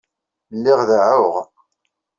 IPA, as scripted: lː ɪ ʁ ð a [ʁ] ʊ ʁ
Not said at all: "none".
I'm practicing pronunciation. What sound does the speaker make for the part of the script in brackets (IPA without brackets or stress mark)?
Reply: ʕ